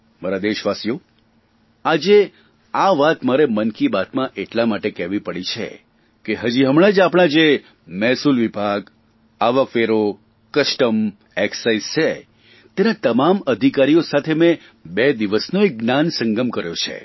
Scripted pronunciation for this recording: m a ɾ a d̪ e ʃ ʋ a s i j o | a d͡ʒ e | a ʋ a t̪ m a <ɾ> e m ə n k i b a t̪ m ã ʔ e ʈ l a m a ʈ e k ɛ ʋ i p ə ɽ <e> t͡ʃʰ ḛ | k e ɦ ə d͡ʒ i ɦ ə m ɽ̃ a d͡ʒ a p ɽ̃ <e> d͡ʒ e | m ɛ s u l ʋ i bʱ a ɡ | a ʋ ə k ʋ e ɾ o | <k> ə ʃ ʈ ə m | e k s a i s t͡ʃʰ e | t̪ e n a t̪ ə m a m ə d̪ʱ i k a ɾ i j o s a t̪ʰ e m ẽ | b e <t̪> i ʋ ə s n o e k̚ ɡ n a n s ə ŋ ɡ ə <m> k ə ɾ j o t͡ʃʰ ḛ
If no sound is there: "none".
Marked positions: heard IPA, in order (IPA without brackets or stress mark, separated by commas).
ɾ, i, a, k, d̪, m